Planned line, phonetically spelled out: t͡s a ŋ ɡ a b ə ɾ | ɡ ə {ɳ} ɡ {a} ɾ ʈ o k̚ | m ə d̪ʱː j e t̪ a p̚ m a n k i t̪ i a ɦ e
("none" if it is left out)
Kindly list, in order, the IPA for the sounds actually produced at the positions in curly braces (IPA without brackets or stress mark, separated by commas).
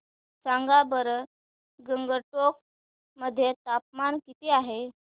ŋ, ə